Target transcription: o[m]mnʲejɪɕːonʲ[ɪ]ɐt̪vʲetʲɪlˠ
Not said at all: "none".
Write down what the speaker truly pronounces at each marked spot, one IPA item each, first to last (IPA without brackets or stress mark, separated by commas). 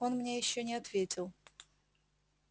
n, ɪ